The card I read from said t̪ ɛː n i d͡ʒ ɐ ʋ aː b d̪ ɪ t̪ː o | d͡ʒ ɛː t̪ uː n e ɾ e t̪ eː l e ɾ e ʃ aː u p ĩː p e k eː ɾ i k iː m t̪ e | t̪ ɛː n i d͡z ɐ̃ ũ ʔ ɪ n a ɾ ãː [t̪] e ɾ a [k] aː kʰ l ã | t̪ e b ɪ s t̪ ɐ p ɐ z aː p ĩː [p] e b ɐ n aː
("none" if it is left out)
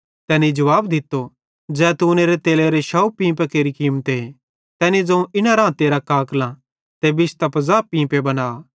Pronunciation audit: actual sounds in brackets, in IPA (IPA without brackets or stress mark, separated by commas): t̪, k, p